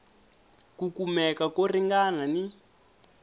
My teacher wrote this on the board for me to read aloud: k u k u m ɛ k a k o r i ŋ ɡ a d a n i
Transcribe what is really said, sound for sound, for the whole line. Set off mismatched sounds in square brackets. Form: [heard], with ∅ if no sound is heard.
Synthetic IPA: k u k u m ɛ k a k o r i ŋ ɡ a [n] a n i